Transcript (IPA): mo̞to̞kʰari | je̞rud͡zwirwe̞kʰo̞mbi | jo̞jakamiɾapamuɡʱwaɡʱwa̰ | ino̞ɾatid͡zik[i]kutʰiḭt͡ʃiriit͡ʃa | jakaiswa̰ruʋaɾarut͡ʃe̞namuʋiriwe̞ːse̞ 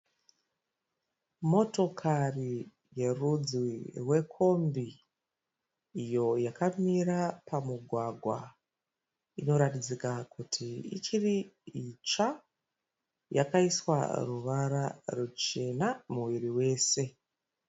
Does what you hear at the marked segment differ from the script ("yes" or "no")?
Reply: yes